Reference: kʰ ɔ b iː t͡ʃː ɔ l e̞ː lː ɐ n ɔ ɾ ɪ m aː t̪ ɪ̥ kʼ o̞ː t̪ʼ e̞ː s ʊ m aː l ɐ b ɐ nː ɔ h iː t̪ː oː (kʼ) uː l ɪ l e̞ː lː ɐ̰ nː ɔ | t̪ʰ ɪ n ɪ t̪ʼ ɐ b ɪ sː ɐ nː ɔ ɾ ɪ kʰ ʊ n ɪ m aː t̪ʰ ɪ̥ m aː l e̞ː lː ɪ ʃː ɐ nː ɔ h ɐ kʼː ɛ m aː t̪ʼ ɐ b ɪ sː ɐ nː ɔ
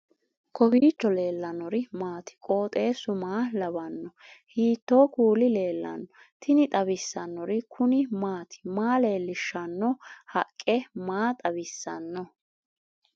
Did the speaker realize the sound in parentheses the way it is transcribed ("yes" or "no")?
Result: no